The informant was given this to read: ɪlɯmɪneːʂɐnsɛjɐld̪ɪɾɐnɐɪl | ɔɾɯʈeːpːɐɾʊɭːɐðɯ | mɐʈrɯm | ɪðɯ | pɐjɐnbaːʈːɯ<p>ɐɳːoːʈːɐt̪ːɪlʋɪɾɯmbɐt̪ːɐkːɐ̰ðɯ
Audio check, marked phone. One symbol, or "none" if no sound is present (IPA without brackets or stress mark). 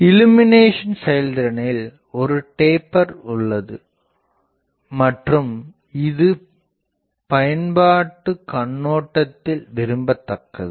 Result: k